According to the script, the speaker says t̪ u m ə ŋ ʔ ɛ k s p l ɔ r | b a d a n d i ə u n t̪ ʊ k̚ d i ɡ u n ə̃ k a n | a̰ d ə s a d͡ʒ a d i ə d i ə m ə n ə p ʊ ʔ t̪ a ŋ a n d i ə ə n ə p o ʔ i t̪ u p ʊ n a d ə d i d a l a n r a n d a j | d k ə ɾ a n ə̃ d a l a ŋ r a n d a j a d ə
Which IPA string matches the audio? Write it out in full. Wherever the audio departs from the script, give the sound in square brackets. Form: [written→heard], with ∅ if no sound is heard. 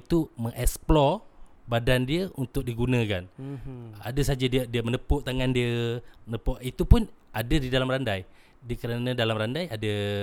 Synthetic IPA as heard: t̪ u m ə ŋ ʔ ɛ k s p l ɔ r | b a d a n d i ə u n t̪ ʊ k̚ d i ɡ u n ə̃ k a n | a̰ d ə s a d͡ʒ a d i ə d i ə m ə n ə p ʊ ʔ t̪ a ŋ a n d i ə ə n ə p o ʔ i t̪ u p ʊ n a d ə d i d a l a [n→m] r a n d a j | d k ə ɾ a n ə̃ d a l a [ŋ→m] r a n d a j a d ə